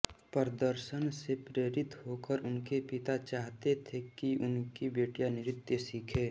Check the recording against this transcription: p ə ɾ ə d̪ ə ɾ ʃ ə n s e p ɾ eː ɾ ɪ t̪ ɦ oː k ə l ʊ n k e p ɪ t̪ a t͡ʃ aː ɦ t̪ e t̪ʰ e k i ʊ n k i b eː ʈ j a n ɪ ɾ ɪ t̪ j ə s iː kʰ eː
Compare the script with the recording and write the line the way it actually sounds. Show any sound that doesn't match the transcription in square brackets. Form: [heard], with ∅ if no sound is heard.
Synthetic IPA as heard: p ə ɾ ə d̪ ə ɾ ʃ ə n s e p ɾ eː ɾ ɪ t̪ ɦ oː k ə [ɾ] ʊ n k e p ɪ t̪ a t͡ʃ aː ɦ t̪ e t̪ʰ e k i ʊ n k i b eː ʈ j a n ɪ ɾ ɪ t̪ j ə s iː kʰ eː